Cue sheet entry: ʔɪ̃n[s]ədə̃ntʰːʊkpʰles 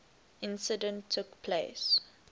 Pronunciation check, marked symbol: correct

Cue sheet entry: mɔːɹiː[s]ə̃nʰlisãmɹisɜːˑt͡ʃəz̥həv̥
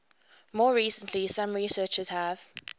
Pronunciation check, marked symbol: correct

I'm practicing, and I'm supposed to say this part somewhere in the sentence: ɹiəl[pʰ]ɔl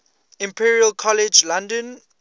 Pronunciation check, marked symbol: incorrect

